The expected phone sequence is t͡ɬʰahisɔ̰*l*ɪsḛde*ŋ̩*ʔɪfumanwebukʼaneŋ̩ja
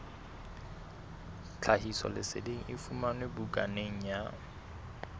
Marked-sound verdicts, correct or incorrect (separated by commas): correct, correct